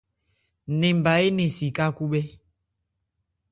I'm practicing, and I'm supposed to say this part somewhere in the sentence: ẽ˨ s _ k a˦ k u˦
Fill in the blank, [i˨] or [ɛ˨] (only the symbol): i˨